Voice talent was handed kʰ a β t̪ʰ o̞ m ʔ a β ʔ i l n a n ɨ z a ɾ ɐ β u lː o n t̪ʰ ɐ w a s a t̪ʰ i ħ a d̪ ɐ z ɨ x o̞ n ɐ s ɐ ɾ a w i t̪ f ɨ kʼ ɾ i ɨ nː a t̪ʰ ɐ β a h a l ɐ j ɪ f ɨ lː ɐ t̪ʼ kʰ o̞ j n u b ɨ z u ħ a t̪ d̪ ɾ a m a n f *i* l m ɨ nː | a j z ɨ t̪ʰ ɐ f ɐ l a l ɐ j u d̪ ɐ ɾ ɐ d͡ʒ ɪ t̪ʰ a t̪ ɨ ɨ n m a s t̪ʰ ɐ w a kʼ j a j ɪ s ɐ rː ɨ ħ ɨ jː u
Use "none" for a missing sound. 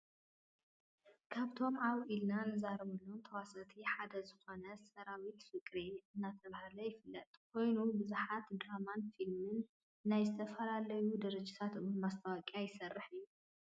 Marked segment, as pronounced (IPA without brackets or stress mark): i